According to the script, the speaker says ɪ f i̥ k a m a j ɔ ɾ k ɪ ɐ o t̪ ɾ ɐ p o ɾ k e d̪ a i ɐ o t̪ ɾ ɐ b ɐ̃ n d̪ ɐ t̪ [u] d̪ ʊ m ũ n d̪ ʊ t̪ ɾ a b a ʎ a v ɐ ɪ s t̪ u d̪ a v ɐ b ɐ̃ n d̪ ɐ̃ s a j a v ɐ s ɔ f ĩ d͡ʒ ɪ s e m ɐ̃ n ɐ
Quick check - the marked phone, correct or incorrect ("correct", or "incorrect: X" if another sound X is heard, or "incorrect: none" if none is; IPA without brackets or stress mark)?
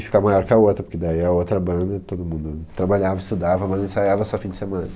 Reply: incorrect: o